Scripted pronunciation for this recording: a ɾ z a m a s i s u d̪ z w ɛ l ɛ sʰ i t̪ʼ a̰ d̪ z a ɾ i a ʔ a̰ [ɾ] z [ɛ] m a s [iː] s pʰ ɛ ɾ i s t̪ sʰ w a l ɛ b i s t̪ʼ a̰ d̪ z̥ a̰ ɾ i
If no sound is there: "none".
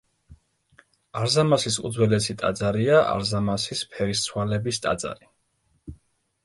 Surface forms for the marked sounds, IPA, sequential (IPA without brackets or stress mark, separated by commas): ɾ, a, i